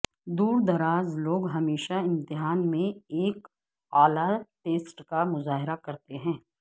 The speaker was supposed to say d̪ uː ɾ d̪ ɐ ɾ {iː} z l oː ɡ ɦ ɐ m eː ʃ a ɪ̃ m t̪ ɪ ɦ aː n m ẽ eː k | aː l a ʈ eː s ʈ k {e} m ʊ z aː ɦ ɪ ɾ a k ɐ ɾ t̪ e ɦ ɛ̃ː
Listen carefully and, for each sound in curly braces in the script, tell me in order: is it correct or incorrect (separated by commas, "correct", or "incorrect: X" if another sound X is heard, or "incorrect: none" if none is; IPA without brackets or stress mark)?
incorrect: aː, incorrect: a